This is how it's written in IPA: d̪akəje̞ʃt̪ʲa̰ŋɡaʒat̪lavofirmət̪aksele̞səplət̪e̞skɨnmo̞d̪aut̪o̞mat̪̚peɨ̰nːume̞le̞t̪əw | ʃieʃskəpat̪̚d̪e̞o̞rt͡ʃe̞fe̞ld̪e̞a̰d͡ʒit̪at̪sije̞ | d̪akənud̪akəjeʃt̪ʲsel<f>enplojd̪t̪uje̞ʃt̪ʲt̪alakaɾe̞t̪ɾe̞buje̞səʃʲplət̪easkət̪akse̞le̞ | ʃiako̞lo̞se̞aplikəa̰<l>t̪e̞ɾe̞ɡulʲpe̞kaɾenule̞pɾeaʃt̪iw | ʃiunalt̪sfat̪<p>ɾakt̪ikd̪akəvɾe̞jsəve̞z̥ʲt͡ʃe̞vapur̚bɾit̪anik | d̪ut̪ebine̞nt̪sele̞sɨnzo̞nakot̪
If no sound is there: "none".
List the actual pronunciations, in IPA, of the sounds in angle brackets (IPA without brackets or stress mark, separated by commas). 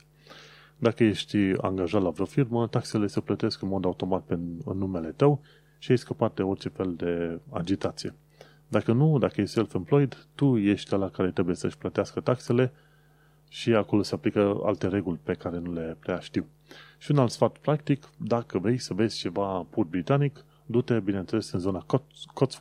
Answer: f, l, p